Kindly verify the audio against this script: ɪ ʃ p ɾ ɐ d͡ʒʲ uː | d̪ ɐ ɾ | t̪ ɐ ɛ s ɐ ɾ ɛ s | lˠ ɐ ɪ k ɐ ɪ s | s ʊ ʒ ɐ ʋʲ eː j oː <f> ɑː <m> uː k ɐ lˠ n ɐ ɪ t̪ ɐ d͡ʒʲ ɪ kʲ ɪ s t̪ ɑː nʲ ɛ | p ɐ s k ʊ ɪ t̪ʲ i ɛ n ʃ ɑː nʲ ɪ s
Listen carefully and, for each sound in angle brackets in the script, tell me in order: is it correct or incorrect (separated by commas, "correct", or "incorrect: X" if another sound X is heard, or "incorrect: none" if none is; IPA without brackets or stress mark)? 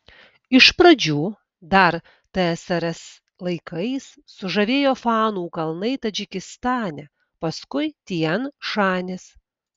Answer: correct, incorrect: n